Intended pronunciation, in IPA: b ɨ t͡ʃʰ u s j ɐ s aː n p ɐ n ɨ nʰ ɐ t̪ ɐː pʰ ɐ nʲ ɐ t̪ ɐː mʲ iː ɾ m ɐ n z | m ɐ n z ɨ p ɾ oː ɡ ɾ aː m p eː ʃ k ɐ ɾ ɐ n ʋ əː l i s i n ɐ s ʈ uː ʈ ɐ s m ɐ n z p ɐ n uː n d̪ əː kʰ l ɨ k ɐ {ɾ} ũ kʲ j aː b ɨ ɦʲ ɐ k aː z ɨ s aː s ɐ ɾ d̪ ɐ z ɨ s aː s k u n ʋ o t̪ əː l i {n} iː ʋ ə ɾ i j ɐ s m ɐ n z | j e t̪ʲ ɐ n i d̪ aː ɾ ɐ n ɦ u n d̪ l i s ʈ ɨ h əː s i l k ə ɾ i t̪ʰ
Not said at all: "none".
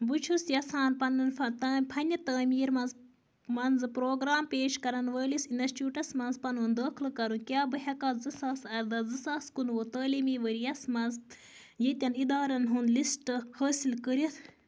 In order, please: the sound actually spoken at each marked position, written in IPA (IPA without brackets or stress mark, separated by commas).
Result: ɾ, m